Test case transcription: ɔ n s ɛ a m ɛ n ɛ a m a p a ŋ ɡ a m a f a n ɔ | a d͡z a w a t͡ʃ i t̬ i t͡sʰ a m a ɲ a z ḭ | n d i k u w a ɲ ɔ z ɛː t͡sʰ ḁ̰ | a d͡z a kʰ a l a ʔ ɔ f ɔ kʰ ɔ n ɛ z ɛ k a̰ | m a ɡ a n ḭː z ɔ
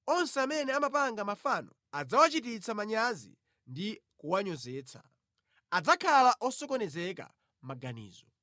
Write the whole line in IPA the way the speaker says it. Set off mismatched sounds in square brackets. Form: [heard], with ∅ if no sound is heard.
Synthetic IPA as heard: ɔ n s ɛ a m ɛ n ɛ a m a p a ŋ ɡ a m a f a n ɔ | a d͡z a w a t͡ʃ i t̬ i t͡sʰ a m a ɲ a z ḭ | n d i k u w a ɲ ɔ z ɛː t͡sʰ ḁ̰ | a d͡z a kʰ a l a ʔ ɔ [s] ɔ [k] ɔ n ɛ z ɛ k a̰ | m a ɡ a n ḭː z ɔ